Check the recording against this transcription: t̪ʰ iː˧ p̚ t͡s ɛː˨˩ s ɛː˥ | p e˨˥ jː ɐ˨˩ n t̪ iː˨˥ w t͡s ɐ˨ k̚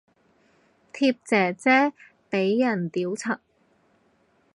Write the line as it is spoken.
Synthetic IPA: t̪ʰ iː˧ p̚ t͡s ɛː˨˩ t͡s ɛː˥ | p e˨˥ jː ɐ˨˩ n t̪ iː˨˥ w t͡sʰ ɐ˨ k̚